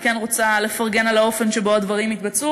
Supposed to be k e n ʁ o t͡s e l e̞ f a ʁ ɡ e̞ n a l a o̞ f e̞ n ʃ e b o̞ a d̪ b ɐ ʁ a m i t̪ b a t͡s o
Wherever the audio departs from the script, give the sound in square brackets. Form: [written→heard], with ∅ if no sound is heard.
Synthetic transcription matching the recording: k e n ʁ o t͡s [e→a] l e̞ f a ʁ ɡ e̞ n a l a o̞ f e̞ n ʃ e b o̞ a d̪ [b→v] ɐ ʁ [a→i] m i t̪ b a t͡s [o→u]

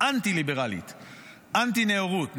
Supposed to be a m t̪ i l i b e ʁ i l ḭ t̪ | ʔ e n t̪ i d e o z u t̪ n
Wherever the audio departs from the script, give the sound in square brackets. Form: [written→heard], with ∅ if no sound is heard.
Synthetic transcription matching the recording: a [m→n] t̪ i l i b e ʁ [i→a] l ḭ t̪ | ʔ [e→a] n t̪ i [d→n] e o [z→ʁ] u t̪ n

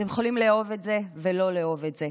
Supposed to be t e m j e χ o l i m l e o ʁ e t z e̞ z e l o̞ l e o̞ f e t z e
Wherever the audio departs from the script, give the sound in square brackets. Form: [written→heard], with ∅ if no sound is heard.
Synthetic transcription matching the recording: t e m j e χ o l i m l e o [ʁ→v] e t z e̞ [z→v] e l o̞ l e o̞ [f→v] e t z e

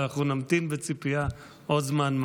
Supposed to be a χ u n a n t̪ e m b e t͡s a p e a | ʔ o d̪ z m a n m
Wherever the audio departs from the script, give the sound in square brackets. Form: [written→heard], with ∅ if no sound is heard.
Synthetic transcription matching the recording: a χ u n a [n→m] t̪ [e→i] m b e t͡s [a→i] p [e→i] a | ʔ o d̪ z m a n m

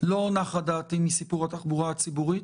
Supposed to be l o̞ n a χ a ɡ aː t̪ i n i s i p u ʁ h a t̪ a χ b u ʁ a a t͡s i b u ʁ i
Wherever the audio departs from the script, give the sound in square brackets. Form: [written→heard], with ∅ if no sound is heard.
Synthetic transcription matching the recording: l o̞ n a χ a [ɡ→d] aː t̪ i [n→m] i s i p u ʁ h a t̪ a χ b u ʁ a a t͡s i b u ʁ i

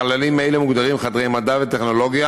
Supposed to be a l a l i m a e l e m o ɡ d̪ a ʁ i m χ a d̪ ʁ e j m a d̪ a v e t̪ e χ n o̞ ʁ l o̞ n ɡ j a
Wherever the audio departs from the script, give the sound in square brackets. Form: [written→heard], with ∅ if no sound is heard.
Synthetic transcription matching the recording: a l a l i m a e l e m [o→u] ɡ d̪ a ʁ i m χ a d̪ ʁ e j m a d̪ a v e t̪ e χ n o̞ [ʁ→∅] l o̞ [n→∅] ɡ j a

